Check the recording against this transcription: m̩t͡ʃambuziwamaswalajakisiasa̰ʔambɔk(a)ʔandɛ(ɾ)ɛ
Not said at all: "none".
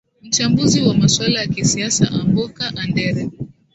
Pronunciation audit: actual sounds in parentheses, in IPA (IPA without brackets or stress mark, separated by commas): a, ɾ